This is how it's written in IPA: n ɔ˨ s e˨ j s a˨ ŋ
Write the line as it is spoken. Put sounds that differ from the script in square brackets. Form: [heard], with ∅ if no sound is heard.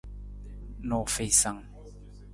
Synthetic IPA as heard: n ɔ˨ [f] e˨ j s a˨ ŋ